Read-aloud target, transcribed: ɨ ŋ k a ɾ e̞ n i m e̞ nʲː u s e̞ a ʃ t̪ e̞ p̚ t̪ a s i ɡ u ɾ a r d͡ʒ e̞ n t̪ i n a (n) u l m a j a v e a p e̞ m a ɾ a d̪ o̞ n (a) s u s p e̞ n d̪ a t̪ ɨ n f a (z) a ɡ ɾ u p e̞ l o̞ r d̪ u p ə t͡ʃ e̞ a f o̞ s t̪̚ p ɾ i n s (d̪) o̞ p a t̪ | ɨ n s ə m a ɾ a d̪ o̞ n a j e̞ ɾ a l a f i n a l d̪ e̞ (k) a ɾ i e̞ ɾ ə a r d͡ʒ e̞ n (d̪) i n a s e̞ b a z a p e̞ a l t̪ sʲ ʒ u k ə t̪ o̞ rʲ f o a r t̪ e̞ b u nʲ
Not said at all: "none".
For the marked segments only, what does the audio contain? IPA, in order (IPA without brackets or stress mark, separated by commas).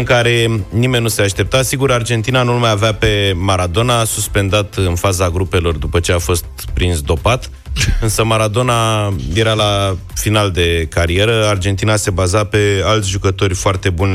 n, a, z, d̪, k, t̪